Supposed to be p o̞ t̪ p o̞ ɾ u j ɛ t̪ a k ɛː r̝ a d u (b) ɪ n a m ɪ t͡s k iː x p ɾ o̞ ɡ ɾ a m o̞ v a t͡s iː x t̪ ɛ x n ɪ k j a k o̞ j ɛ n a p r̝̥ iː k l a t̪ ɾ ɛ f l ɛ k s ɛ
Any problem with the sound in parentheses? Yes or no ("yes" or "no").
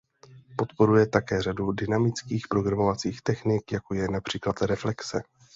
yes